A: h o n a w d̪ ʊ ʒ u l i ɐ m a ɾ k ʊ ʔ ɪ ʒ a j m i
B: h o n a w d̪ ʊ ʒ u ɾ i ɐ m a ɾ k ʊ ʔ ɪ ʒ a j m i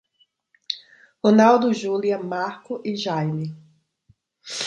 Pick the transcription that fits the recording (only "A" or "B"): A